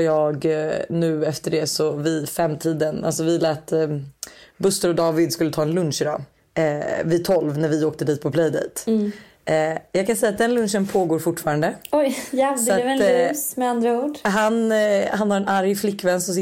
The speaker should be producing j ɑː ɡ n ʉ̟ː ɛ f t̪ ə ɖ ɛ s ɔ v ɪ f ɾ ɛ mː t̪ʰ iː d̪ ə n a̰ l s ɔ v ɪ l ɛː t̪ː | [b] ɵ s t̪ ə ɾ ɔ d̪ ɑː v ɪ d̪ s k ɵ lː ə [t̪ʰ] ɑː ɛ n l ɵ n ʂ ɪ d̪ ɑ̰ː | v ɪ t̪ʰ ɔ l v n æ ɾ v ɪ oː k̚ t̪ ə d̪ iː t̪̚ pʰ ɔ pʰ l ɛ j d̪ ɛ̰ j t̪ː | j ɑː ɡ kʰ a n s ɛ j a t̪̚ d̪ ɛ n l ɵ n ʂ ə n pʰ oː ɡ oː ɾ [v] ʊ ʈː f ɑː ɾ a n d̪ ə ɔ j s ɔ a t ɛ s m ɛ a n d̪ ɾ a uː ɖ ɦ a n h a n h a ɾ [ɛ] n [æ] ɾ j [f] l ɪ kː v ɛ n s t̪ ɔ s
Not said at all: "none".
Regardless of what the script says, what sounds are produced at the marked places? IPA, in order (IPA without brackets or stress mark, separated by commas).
b, t̪ʰ, f, ɛ, a, f